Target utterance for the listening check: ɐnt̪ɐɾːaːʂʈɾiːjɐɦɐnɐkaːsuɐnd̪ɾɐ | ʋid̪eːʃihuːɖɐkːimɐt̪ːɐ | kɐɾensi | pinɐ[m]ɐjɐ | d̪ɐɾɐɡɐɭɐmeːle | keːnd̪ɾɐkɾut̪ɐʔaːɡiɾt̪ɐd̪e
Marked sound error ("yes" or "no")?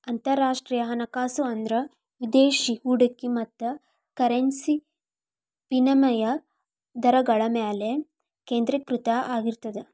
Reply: no